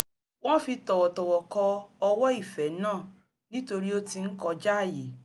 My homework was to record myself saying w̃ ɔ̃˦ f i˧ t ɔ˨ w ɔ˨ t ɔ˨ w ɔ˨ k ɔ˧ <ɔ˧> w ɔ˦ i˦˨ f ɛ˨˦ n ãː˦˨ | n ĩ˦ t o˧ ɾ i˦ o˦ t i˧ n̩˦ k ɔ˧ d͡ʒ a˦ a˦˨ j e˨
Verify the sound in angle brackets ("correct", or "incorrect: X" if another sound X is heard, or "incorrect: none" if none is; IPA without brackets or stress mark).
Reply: correct